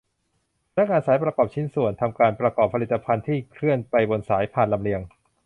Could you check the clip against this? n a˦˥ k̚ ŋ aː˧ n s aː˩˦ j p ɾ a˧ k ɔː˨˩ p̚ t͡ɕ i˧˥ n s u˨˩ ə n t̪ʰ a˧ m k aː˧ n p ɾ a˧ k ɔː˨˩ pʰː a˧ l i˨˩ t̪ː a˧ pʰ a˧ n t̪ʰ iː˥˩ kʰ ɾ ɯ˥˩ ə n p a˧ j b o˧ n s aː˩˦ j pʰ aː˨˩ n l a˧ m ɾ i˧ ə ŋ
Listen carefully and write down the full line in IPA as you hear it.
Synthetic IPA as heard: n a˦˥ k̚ ŋ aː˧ n s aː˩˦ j p ɾ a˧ k ɔː˨˩ p̚ t͡ɕʰ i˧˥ n s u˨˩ ə n t̪ʰ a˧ m k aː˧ n p ɾ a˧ k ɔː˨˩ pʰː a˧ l i˨˩ t̪ː a˧ pʰ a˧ n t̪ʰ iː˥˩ kʰ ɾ ɯ˥˩ ə n p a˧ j b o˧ n s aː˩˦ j pʰ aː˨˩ n l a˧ m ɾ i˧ ə ŋ